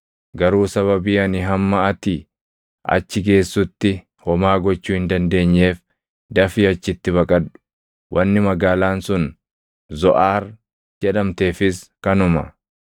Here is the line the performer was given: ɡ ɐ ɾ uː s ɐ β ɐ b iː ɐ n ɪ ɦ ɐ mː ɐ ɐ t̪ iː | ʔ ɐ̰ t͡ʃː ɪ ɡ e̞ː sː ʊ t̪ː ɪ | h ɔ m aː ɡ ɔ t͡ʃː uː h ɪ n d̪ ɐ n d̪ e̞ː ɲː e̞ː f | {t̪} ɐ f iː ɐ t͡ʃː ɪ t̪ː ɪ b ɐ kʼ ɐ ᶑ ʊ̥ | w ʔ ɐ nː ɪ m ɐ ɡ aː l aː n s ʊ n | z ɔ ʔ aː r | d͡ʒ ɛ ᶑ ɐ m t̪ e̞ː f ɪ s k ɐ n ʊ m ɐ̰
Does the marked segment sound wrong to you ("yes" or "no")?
yes